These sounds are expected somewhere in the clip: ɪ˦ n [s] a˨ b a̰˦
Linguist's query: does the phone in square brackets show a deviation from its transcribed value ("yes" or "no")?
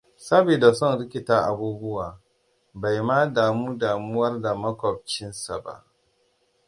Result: no